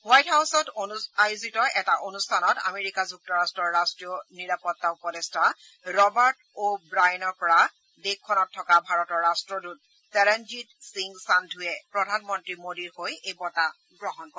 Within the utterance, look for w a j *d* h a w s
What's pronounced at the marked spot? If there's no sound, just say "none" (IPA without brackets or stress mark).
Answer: t